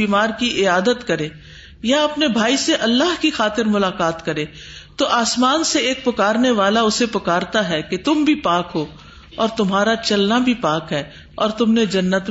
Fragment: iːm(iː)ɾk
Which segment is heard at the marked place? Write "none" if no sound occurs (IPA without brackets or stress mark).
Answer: aː